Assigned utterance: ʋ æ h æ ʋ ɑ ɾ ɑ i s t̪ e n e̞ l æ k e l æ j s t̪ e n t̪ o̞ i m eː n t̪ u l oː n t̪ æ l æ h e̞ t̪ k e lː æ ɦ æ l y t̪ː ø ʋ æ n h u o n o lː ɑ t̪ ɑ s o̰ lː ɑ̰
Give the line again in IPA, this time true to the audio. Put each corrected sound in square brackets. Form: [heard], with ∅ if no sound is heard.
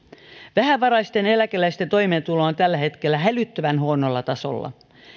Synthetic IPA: ʋ æ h æ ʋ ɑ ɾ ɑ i s t̪ e n e̞ l æ k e l æ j s t̪ e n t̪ o̞ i m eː n t̪ u l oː n t̪ æ [lː] æ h e̞ t̪ k e lː æ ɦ æ l y t̪ː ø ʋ æ n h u o n o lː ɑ t̪ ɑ s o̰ lː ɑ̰